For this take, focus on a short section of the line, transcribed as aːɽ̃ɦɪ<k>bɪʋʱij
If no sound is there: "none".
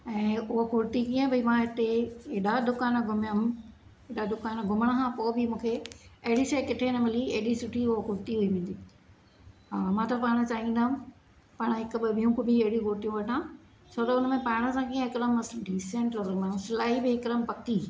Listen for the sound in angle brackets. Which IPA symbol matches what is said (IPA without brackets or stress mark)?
k